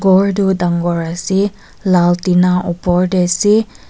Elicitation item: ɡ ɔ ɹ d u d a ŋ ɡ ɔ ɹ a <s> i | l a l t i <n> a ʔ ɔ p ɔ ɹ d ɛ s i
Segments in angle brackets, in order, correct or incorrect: correct, correct

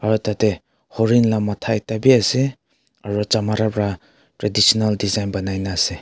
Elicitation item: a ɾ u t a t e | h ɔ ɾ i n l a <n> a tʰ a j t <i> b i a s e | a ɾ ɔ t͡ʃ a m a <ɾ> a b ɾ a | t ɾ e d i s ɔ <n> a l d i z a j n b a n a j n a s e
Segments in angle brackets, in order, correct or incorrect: incorrect: m, incorrect: a, correct, correct

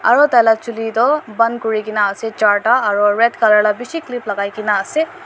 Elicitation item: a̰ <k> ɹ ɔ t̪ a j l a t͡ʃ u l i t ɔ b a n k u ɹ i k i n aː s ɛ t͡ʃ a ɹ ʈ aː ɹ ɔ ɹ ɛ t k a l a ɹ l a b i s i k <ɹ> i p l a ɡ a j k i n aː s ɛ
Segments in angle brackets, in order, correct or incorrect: incorrect: none, incorrect: l

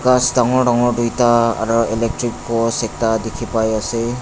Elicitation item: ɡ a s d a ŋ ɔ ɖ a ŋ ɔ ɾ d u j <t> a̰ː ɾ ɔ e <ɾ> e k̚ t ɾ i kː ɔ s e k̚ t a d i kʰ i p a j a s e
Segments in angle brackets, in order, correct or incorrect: correct, incorrect: l

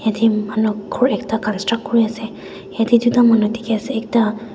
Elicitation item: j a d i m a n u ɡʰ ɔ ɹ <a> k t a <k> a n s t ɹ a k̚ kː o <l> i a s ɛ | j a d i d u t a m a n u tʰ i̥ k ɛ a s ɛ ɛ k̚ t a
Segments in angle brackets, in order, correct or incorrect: incorrect: ɛ, correct, incorrect: ɹ

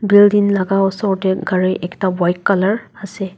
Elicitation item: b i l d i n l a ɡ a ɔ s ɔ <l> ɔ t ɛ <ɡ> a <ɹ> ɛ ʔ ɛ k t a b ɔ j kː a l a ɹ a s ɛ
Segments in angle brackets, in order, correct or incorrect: incorrect: ɹ, correct, correct

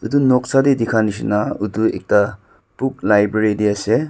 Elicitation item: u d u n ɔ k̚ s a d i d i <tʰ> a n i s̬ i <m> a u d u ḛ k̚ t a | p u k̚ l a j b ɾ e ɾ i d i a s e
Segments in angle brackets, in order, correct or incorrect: incorrect: kʰ, incorrect: n

